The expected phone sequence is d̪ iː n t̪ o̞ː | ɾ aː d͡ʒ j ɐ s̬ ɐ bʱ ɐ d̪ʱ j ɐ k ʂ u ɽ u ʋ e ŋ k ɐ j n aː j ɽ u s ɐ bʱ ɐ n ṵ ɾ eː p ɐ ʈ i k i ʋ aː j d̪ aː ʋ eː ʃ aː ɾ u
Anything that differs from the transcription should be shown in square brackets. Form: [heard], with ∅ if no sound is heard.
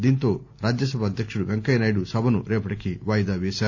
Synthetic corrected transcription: d̪ iː n t̪ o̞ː | ɾ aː d͡ʒ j ɐ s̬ ɐ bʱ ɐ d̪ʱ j ɐ k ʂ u ɽ u ʋ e ŋ k ɐ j n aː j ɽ u s ɐ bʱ ɐ n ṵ ɾ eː p ɐ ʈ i k i ʋ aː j d̪ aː ʋ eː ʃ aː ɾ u